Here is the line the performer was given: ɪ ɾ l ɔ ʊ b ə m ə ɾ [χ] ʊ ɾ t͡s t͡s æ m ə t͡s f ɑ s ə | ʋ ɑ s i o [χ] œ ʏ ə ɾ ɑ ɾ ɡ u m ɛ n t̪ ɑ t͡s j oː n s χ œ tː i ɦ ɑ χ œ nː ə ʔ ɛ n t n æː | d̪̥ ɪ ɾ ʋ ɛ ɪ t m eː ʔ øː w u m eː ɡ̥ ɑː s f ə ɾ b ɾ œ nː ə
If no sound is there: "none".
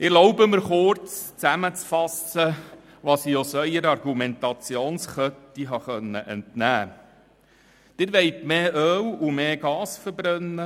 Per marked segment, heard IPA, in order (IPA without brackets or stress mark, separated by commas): χ, s